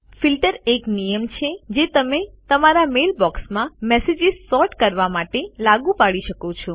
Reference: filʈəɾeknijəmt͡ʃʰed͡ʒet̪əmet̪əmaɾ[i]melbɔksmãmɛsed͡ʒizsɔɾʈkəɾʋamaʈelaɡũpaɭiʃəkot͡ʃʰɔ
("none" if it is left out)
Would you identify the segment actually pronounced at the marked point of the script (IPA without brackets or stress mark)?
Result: a